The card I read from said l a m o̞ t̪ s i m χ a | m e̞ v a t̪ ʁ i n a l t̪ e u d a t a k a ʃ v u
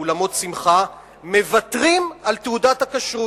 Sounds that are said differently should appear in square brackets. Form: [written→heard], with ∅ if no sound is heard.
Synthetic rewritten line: l a m o̞ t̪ s i m χ a | m e̞ v a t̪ ʁ i [n→m] a l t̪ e u d a t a k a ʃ [v→ʁ] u